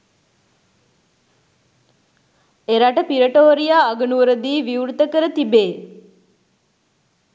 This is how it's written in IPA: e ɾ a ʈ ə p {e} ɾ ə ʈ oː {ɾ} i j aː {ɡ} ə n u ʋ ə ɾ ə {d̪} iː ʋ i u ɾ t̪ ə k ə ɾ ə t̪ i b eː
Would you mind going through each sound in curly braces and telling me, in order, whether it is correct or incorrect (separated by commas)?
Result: incorrect, correct, correct, correct